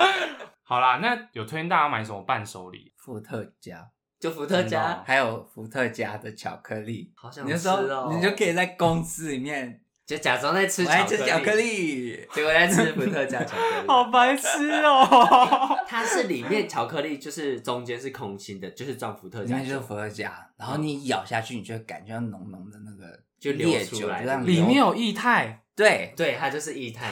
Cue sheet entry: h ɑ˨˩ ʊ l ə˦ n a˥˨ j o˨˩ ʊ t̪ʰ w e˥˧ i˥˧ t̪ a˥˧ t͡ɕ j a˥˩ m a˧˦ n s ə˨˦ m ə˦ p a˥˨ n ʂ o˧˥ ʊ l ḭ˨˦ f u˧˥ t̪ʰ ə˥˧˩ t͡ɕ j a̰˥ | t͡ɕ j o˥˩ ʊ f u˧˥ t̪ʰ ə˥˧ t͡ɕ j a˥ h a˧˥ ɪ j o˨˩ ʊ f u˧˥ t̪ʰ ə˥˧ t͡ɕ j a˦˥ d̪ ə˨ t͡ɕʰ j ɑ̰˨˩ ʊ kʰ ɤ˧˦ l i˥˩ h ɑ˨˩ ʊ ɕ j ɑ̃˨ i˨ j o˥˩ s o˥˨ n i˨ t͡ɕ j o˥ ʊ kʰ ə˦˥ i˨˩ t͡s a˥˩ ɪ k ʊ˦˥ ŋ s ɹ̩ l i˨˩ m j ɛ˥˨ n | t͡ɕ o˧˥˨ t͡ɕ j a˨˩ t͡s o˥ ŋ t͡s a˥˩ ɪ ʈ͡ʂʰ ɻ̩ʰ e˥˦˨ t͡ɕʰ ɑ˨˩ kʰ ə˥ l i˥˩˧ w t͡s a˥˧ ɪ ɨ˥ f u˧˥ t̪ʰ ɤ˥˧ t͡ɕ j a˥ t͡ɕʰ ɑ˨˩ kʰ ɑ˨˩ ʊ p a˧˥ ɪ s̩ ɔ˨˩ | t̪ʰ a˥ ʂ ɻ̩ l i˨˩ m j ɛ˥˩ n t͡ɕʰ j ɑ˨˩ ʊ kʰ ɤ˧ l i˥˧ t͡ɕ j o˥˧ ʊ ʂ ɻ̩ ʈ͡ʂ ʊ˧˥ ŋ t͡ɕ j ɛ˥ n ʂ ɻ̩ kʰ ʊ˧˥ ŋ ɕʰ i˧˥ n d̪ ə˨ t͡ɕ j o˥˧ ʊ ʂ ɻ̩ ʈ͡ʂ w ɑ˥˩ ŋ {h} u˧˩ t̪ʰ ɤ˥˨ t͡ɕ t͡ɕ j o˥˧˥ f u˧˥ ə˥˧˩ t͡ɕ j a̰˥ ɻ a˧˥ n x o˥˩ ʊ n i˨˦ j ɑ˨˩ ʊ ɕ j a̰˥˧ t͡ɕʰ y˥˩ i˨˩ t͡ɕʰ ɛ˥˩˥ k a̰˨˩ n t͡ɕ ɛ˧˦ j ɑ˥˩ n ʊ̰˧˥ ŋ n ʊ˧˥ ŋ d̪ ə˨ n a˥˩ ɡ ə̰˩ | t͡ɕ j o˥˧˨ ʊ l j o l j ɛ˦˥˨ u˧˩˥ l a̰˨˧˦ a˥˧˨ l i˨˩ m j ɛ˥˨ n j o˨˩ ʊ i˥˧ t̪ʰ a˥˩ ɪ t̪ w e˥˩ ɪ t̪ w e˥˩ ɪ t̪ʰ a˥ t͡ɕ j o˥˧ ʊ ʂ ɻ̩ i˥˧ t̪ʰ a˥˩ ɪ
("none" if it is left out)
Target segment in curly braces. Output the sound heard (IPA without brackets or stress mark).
f